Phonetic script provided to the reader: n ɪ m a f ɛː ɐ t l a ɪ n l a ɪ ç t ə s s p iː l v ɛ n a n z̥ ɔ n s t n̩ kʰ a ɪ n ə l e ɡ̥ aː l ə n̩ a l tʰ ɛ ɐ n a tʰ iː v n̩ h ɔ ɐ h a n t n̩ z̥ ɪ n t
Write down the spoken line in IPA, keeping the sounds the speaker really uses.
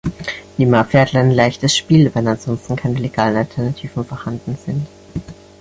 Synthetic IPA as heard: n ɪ m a f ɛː ɐ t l a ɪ n l a ɪ ç t ə s ʃ p iː l v ɛ n a n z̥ ɔ n s t n̩ kʰ a ɪ n ə l e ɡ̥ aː l ə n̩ a l tʰ ɛ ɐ n a tʰ iː v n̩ f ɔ ɐ h a n d n̩ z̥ ɪ n t